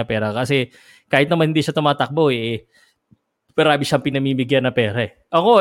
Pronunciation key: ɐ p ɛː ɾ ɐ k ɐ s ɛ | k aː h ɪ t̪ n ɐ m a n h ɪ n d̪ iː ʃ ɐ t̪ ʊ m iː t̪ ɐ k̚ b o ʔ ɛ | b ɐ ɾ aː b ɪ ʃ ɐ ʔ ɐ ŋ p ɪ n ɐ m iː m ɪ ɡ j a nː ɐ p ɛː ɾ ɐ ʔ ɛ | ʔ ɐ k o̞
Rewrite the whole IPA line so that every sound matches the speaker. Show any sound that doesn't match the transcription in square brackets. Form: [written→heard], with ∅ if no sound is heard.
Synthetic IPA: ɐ p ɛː ɾ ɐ k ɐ s ɛ | k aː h ɪ t̪ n ɐ m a n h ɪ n d̪ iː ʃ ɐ t̪ ʊ m [iː→aː] t̪ ɐ k̚ b o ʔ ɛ | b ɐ ɾ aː b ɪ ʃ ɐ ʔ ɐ ŋ p ɪ n ɐ m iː m ɪ ɡ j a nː ɐ p ɛː ɾ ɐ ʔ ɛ | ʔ ɐ k o̞